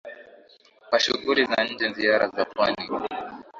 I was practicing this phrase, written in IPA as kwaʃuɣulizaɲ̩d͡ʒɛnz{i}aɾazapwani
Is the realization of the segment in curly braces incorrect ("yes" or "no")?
no